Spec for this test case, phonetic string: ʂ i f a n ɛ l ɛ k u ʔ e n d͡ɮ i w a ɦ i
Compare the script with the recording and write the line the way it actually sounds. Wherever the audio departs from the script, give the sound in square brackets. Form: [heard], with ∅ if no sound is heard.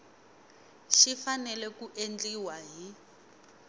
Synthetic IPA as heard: [ʃ] i f a n ɛ l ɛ k u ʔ e n d͡ɮ i w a ɦ i